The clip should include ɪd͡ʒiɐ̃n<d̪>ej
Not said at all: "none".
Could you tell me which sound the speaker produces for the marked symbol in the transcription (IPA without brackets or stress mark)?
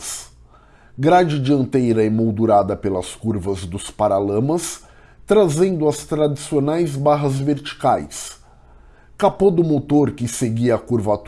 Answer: t̪